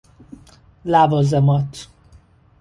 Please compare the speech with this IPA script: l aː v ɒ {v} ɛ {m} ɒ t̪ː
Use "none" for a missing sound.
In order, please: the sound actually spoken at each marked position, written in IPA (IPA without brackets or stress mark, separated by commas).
z, m